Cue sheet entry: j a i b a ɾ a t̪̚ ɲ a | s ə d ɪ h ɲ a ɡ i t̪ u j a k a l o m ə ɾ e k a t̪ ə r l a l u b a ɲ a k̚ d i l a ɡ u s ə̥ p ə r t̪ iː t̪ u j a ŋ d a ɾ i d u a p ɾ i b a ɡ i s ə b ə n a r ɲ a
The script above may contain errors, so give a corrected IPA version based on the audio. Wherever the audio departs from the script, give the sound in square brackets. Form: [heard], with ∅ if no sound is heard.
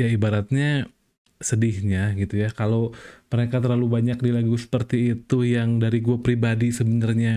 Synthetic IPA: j a i b a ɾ a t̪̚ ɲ a | s ə d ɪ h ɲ a ɡ i t̪ u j a k a l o m ə ɾ e k a t̪ ə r l a l u b a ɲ a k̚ d i l a ɡ u s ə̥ p ə r t̪ iː t̪ u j a ŋ d a ɾ i [ɡ] u a p ɾ i b a [d] i s ə b ə n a r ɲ a